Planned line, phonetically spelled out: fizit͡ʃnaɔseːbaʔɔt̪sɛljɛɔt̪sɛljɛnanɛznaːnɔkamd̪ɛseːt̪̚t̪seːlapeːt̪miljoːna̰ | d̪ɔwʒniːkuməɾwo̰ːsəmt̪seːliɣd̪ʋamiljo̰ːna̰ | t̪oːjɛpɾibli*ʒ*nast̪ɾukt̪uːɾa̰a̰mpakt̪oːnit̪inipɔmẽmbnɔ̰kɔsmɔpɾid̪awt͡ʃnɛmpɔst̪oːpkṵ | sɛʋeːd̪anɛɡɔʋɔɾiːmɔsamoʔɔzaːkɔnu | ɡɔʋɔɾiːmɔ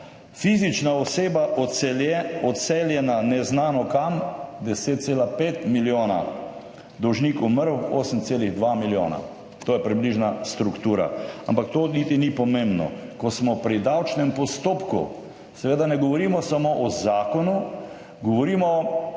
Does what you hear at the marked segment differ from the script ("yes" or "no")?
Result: no